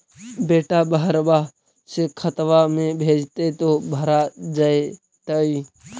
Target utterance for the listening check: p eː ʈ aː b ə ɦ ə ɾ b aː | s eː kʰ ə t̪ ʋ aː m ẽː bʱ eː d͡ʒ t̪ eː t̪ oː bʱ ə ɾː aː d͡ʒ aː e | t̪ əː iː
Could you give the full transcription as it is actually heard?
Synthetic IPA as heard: b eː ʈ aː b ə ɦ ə ɾ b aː | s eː kʰ ə t̪ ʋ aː m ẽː bʱ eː d͡ʒ t̪ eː t̪ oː bʱ ə ɾ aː d͡ʒ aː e | t̪ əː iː